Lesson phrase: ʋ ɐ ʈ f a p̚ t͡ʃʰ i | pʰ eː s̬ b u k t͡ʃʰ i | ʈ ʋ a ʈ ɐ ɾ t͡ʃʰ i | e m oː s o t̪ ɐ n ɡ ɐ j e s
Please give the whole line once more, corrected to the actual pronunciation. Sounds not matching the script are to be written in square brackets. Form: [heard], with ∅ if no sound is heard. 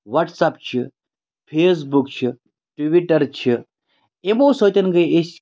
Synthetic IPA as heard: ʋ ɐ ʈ [s] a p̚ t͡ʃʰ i | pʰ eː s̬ b u k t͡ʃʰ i | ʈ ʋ [i] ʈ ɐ ɾ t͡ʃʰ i | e m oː s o t̪ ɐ n ɡ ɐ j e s

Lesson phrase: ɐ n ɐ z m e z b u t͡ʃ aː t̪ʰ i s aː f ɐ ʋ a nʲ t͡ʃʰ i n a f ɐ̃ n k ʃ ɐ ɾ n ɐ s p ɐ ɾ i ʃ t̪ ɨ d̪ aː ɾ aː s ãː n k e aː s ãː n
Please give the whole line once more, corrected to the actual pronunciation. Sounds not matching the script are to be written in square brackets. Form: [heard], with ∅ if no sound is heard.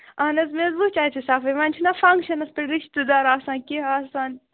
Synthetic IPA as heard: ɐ n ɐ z m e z b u t͡ʃ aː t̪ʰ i s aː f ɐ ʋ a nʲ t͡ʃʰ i n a f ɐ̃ [ŋ] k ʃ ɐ [∅] n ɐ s p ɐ ɾ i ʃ t̪ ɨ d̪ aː ɾ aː s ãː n k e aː s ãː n

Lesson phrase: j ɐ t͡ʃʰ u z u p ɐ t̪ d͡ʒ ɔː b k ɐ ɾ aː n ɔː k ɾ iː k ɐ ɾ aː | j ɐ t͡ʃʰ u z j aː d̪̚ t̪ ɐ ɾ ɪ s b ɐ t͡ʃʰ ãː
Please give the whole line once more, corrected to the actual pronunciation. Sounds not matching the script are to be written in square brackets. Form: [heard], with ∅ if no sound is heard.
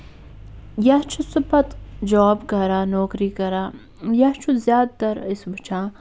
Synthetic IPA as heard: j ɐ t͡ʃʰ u [s] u p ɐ t̪ d͡ʒ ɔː b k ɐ ɾ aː n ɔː k ɾ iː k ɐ ɾ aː | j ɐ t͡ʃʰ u z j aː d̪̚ t̪ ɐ ɾ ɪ s b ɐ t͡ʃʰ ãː

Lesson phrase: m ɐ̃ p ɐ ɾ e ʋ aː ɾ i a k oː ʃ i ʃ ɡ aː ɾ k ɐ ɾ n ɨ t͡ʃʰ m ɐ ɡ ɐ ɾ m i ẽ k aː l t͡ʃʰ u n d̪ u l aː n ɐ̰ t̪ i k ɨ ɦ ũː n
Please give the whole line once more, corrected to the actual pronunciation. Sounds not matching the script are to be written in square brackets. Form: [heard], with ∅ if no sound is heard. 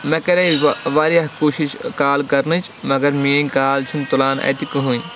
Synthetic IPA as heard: m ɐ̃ [k] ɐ ɾ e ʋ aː ɾ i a k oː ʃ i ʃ [k] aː [l] k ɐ ɾ n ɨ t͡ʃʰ m ɐ ɡ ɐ ɾ m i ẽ k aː l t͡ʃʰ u n [t̪] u l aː n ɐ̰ t̪ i k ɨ ɦ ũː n

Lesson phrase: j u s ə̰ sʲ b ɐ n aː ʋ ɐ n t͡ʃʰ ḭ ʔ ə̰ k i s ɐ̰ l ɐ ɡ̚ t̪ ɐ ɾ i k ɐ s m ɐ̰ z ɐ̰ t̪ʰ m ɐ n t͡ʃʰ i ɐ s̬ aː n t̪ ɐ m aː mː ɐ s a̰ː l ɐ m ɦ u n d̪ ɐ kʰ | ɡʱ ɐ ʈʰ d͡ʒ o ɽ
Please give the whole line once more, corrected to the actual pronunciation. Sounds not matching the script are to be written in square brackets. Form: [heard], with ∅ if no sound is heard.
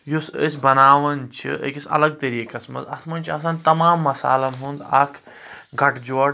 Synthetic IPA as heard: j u s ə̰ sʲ b ɐ n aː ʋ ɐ n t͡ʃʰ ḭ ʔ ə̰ k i s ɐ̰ l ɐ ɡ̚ t̪ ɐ ɾ i k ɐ s m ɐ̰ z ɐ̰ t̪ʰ m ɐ n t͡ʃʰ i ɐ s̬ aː n t̪ ɐ m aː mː ɐ s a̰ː l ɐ m ɦ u n d̪ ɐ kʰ | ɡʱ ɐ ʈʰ d͡ʒ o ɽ

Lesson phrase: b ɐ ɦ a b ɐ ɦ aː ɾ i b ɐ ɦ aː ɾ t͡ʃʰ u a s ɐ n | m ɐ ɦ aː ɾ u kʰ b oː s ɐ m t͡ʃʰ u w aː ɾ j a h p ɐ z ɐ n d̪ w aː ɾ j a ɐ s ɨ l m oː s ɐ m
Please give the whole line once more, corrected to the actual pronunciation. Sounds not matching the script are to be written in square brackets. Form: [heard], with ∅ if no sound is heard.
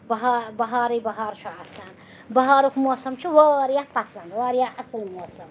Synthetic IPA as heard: b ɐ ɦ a b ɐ ɦ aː ɾ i b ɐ ɦ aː ɾ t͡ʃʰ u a s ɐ n | [b] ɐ ɦ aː ɾ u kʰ [m] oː s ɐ m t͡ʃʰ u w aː ɾ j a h p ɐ [s] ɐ n d̪ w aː ɾ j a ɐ s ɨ l m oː s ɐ m

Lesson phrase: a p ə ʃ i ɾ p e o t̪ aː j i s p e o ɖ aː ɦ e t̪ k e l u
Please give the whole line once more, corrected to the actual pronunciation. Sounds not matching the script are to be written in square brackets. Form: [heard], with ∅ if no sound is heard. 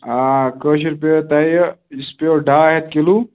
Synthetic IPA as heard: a [k] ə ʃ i ɾ p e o t̪ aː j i s p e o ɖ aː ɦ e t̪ k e l u

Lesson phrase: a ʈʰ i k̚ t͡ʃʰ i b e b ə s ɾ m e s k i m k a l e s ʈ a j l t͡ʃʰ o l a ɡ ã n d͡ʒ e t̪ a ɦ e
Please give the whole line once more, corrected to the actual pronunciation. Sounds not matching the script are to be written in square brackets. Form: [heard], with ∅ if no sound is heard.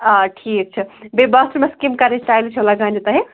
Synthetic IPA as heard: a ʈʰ i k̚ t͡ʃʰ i b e b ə s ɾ m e s k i m k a [ɾ] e s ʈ a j l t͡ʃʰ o l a ɡ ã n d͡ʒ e t̪ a ɦ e

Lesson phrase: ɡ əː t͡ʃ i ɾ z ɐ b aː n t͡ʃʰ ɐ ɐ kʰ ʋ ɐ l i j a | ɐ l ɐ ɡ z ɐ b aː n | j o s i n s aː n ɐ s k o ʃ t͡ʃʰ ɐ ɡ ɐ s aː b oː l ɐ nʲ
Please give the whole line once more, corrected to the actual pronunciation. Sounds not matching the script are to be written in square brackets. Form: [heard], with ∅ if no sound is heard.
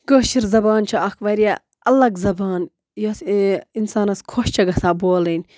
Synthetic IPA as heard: ɡ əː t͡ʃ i ɾ z ɐ b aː n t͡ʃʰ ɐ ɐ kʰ ʋ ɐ [ɾ] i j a | ɐ l ɐ ɡ z ɐ b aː n | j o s i n s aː n ɐ s [kʰ] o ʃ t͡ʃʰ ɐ ɡ ɐ s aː b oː l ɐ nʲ

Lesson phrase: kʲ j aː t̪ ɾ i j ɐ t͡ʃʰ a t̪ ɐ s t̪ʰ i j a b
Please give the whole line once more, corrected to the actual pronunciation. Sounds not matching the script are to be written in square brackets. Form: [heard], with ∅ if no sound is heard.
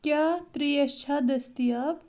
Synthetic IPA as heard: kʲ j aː t̪ ɾ i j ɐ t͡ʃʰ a [d̪] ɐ s [t̪] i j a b

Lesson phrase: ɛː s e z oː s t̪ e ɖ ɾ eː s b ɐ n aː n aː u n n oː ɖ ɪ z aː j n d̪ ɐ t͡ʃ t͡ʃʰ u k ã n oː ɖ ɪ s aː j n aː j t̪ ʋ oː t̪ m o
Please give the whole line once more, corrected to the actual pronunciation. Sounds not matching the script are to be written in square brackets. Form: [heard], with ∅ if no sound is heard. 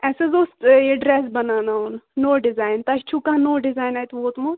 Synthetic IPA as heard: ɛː s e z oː s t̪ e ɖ ɾ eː s b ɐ n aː n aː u n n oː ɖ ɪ z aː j n [t̪] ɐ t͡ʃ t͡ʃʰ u k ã n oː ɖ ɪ [z] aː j n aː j t̪ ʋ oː t̪ m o

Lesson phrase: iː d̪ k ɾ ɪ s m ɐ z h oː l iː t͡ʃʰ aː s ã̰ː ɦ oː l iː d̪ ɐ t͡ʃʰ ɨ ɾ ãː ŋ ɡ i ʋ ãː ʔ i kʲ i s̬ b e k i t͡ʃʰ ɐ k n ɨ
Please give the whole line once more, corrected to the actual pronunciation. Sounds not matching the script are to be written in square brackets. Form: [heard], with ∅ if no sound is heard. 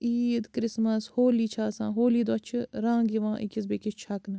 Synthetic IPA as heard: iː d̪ k ɾ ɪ s m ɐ [s] h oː l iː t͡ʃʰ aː s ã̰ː ɦ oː l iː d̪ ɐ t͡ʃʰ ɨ ɾ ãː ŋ ɡ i ʋ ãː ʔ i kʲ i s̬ b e k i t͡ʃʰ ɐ k n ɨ

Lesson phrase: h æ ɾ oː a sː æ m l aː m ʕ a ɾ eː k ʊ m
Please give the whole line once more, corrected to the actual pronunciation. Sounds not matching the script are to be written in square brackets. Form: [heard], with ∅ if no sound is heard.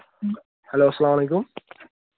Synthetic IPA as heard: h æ [l] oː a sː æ [∅] l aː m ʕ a [l] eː k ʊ m

